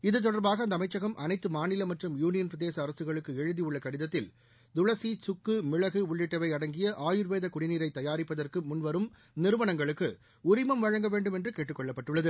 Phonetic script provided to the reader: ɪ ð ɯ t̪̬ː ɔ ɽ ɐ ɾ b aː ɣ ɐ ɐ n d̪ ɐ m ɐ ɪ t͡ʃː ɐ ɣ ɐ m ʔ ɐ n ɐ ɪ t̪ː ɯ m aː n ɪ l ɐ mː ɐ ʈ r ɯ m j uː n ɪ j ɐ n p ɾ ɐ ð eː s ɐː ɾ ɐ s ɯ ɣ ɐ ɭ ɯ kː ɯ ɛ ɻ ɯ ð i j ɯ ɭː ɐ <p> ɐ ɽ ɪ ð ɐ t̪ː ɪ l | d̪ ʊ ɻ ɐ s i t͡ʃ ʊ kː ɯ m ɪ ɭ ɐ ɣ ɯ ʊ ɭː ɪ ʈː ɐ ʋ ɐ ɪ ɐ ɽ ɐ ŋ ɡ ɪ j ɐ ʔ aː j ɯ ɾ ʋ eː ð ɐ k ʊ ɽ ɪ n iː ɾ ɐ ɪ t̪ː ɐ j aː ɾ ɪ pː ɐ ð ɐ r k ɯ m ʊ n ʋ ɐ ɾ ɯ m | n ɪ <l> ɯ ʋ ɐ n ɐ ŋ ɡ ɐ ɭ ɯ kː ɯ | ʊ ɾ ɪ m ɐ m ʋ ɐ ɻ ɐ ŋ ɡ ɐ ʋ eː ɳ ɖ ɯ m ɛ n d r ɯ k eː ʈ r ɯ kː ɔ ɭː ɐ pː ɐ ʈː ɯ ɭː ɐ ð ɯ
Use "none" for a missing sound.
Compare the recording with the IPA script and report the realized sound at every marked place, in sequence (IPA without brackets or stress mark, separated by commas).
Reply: k, ɾ